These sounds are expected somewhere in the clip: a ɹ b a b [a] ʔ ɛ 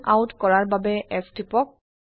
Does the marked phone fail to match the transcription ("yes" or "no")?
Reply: yes